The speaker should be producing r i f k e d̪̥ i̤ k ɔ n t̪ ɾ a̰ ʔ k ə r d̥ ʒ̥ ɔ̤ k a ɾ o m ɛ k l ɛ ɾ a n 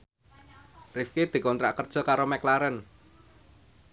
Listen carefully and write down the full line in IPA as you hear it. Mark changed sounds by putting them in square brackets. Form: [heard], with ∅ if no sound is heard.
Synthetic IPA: r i f k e d̪̥ i̤ k ɔ n t̪ ɾ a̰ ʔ k ə r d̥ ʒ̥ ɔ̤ k a ɾ o m ɛ k l [a] ɾ [ə] n